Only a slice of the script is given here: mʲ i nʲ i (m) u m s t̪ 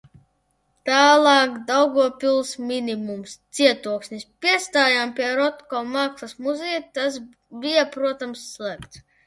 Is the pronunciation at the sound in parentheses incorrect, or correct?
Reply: correct